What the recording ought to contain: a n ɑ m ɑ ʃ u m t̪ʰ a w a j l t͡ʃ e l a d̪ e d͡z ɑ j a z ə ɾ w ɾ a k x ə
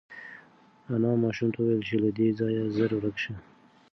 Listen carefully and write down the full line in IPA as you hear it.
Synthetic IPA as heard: a n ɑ m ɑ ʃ u m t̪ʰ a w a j l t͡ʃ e l a d̪ e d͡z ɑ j a z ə ɾ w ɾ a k ʃ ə